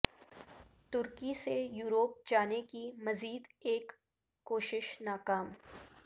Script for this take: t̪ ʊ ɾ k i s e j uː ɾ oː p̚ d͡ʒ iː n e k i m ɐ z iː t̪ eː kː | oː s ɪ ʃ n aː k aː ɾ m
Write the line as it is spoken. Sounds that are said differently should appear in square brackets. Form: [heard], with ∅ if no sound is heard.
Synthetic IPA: t̪ ʊ ɾ k i s e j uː ɾ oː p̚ d͡ʒ [aː] n e k i m ɐ z iː [d̪] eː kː | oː [ʃ] ɪ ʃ n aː k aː [∅] m